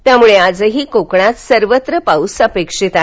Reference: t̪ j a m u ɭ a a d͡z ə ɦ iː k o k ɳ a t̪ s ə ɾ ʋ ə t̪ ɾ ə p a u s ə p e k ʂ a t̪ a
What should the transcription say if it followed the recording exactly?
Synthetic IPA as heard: t̪ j a m u ɭ e a d͡z ə ɦ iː k o k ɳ a t̪ s ə ɾ ʋ ə t̪ ɾ ə p a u s ə p e k ʂ i t̪ a

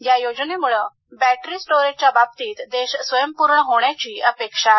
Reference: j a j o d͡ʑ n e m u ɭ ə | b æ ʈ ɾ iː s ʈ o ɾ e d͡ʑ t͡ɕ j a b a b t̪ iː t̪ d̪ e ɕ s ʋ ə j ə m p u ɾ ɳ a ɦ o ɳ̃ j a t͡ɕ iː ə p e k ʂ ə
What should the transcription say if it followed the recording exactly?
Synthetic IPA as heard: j a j o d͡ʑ n e m u ɭ ə | b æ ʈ ɾ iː s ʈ o ɾ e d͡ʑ t͡ɕ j a b a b t̪ iː t̪ d̪ e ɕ s ʋ ə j ə m p u ɾ ɳ ə ɦ o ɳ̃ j a t͡ɕ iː ə p e k ʂ a

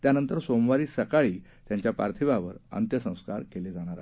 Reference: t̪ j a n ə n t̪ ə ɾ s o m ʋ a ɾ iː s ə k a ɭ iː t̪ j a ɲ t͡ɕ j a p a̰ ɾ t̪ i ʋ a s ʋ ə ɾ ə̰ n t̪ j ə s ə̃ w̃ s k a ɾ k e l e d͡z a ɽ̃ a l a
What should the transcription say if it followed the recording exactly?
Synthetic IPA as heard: t̪ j a n ə n t̪ ə ɾ s o m ʋ a ɾ iː s ə k a ɭ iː t̪ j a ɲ t͡ɕ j a p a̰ ɾ t̪ʰ i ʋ a ʋ ə ɾ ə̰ n t̪ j ə s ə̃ w̃ s k a ɾ k e l e d͡z a ɽ̃ a ɾ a

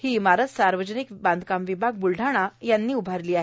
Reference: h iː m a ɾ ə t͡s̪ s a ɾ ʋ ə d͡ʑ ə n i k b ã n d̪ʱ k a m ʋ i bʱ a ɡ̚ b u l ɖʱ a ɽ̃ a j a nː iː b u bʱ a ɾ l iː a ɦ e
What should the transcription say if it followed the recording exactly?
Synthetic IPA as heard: h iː m a ɾ ə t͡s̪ s a ɾ ʋ ə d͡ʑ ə n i k b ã n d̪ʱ k a m ʋ i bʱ a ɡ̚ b u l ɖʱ a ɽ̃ a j a nː iː u bʱ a ɾ l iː a ɦ e

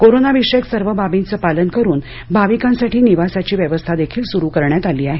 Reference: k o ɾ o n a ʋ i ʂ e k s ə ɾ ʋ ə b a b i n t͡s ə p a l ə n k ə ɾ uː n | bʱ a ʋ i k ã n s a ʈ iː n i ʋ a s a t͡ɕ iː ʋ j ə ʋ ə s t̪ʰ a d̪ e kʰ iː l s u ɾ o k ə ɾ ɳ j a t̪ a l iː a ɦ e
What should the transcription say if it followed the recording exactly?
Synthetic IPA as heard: k o ɾ o n a ʋ i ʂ e k s ə ɾ ʋ ə b a b i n t͡s ə p a l ə n k ə ɾ uː n | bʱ a ʋ i k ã n s a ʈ iː n i ʋ a s a t͡ɕ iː ʋ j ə ʋ ə s t̪ʰ a d̪ e kʰ iː l s u ɾ u k ə ɾ ɳ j a t̪ a l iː a ɦ e

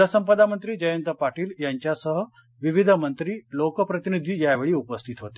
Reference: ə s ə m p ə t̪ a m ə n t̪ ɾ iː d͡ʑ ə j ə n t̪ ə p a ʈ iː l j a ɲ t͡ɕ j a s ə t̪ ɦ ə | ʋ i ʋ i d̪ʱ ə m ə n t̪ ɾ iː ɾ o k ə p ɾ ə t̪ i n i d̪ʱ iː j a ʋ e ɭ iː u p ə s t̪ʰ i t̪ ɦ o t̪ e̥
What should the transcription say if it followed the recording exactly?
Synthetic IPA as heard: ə s ə m p ə d̪ a m ə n t̪ ɾ iː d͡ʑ ə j ə n t̪ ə p a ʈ iː l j a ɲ t͡ɕ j a s ə ɦ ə | ʋ i ʋ i d̪ʱ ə m ə n t̪ ɾ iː l o k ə p ɾ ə t̪ i n i d̪ʱ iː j a ʋ e ɭ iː u p ə s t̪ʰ i t̪ ɦ o t̪ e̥

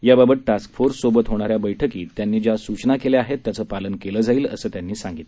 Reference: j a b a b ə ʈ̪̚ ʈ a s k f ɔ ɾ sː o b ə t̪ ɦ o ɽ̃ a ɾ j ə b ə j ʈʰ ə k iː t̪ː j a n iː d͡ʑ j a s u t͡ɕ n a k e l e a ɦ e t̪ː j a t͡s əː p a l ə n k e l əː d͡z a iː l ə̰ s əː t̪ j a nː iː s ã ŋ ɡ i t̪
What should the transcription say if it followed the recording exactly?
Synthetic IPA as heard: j a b a b ə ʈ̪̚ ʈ a s k f o ɾ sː o b ə t̪ ɦ o ɽ̃ a ɾ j a b ə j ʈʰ ə k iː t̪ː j a nː iː d͡ʑ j a s u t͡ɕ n a k e l e a ɦ e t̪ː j a t͡s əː p a l ə n k e l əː d͡z a iː l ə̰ s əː t̪ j a nː iː s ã ŋ ɡ i t̪

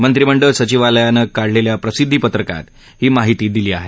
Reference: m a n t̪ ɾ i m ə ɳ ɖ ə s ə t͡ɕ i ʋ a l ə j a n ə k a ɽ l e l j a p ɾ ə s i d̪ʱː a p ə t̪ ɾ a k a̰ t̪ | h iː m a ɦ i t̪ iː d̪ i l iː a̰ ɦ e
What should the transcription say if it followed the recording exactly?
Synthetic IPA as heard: m ə n t̪ ɾ i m ə ɳ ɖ ə s ə t͡ɕ i ʋ a l ə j a n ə k a ɽ l e l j a p ɾ ə s i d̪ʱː i p ə t̪ ɾ ə k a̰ t̪ | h iː m a ɦ i t̪ iː d̪ i l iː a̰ ɦ e

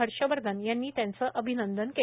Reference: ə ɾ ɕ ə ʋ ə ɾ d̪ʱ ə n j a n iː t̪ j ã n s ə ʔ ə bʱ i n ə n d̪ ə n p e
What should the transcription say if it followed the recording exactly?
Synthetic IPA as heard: ə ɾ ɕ ə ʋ ə ɾ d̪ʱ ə n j a nː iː t̪ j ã n t͡s ə ʔ ə bʱ i n ə n d̪ ə n k e

